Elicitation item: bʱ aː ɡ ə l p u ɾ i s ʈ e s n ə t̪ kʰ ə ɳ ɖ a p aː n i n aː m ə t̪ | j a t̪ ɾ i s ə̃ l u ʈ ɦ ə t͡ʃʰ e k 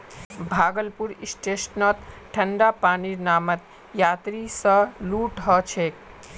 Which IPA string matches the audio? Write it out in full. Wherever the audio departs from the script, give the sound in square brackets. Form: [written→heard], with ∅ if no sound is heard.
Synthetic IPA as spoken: bʱ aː ɡ ə l p u ɾ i s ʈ e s n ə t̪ [kʰ→ʈʰ] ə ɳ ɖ a p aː n i n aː m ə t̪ | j a t̪ ɾ i s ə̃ l u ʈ ɦ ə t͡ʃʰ e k